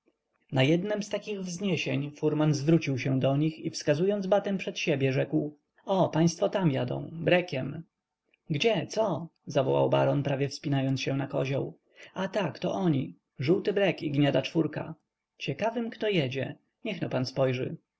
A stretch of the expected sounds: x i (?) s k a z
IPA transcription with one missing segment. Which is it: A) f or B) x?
A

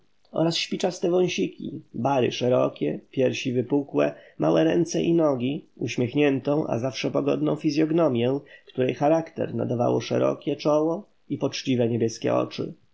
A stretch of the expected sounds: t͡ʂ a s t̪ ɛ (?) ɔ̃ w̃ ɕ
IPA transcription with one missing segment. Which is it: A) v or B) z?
A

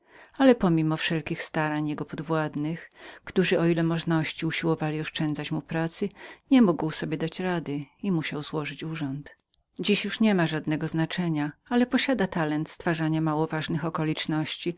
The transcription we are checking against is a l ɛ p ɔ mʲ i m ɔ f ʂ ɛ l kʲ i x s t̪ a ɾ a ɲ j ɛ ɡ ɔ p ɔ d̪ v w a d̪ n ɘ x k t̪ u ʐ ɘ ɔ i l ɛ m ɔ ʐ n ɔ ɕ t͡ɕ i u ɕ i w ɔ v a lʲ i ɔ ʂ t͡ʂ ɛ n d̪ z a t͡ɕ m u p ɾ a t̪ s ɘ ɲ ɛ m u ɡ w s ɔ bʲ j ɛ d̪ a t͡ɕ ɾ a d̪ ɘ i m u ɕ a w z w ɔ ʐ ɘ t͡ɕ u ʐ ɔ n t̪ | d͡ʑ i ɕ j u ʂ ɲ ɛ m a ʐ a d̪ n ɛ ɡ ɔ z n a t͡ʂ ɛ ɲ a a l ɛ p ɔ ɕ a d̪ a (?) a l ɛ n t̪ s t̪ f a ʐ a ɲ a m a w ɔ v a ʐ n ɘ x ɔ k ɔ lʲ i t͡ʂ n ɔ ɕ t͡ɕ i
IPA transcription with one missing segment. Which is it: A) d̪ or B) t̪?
B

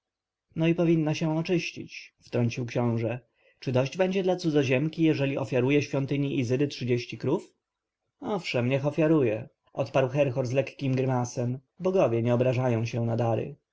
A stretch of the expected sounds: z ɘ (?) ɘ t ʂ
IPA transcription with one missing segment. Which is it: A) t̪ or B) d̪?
B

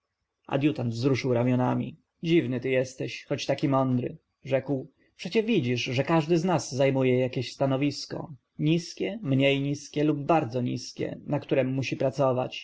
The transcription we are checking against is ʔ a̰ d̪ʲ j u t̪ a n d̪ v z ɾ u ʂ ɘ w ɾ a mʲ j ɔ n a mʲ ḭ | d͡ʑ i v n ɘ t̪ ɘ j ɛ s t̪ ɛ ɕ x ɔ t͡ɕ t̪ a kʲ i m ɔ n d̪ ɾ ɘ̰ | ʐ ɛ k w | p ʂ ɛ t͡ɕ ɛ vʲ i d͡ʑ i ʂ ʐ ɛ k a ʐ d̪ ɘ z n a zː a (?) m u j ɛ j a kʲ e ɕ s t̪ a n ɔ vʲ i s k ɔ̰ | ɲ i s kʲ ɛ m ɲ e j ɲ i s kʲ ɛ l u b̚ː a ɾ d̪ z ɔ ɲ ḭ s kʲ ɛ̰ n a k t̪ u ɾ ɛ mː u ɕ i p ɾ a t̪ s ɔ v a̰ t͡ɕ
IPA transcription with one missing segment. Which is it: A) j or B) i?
A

